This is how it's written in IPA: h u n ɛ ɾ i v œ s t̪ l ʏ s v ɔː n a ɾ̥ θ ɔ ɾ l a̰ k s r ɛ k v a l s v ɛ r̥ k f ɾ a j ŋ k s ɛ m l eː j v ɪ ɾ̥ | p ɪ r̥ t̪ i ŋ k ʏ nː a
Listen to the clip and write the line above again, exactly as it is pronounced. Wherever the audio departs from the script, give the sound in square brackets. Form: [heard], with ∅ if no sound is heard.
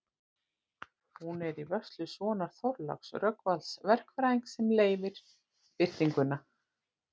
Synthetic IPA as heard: h u n ɛ ɾ i v œ s t̪ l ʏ s v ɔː n a ɾ̥ θ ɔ ɾ l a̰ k s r [œ] k v a l s v ɛ r̥ k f ɾ a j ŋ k s ɛ m l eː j v ɪ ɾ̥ | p ɪ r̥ t̪ i ŋ k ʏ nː a